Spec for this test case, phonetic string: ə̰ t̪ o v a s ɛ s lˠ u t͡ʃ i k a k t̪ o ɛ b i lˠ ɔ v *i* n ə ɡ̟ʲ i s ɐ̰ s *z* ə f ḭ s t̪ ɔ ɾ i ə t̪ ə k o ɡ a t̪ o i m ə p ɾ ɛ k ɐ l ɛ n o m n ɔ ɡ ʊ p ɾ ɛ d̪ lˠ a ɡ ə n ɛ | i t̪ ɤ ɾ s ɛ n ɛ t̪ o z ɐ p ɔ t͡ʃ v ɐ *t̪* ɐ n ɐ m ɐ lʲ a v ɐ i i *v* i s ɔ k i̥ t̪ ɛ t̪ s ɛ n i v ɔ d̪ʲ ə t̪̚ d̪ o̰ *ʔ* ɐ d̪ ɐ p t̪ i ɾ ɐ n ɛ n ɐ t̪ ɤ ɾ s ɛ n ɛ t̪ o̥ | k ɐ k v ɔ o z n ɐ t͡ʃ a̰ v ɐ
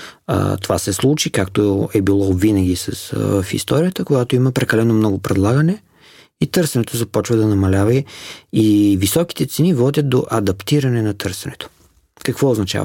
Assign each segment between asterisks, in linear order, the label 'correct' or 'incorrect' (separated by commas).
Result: correct, incorrect, incorrect, correct, correct